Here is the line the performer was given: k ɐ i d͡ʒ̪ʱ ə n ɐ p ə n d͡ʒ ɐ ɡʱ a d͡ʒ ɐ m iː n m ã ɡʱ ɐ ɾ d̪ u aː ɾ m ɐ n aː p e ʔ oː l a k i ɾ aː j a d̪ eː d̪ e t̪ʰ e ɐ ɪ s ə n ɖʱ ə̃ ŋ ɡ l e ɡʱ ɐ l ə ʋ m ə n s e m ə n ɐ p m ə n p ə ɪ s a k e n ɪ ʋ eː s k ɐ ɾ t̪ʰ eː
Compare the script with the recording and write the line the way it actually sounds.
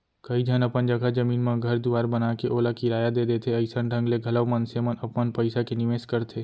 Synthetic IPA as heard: k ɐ i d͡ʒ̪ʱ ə n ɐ p ə n d͡ʒ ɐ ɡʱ a d͡ʒ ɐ m iː n m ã ɡʱ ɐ ɾ d̪ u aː ɾ b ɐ n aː k e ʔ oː l a k i ɾ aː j a d̪ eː d̪ e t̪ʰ e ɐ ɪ s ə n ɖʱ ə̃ ŋ ɡ l e ɡʱ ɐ l ə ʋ m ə n s e m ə n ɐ p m ə n p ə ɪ s a k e n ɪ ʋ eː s k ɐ ɾ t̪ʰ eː